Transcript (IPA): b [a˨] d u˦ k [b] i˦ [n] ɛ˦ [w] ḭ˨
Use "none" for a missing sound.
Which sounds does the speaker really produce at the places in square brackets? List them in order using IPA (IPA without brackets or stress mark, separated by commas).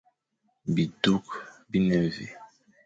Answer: i˨, b, n, v